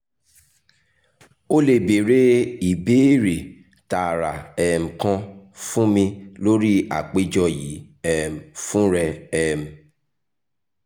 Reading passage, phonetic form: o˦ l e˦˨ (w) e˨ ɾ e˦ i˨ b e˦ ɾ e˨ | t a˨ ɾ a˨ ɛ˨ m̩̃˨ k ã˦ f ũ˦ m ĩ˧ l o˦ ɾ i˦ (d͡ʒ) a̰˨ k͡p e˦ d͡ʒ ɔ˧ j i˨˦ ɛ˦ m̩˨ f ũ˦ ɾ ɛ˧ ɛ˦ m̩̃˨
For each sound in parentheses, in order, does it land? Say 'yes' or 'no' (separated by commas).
no, no